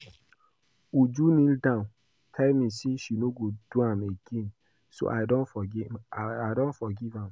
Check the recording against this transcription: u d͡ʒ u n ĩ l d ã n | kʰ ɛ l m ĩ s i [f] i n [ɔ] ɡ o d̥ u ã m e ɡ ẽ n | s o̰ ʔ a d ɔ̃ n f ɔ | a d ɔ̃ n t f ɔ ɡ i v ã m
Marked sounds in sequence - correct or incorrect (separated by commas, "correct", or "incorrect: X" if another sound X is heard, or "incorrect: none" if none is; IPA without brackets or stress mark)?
incorrect: ʃ, incorrect: o